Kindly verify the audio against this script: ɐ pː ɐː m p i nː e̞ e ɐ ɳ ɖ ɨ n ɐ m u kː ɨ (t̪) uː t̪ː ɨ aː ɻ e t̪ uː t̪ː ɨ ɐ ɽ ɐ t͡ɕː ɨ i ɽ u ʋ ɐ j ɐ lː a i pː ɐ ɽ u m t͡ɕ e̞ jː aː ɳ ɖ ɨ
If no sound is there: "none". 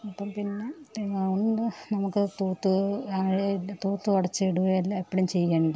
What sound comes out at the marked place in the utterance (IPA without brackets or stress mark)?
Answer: t̪